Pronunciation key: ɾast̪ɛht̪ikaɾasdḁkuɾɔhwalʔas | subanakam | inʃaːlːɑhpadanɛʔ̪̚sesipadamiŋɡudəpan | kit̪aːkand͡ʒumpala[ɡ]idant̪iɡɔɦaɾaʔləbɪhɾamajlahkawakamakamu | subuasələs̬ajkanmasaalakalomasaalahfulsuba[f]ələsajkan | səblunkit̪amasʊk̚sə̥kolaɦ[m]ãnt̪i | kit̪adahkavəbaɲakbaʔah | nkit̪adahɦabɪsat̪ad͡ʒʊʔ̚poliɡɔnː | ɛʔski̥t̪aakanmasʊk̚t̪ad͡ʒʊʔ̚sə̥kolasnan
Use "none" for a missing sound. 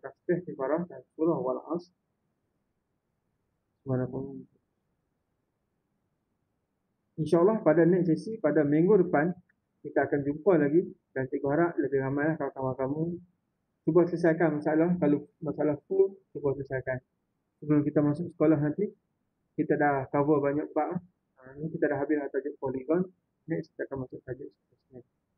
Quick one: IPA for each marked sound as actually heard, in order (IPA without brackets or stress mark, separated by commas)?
ɡ, s, n